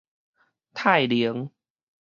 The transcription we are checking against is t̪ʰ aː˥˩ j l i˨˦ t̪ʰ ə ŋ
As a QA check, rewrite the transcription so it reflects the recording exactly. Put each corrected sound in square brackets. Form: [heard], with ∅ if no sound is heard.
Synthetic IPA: t̪ʰ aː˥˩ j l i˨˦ [∅] ə ŋ